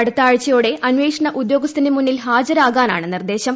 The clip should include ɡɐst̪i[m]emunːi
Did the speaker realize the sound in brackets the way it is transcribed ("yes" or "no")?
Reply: no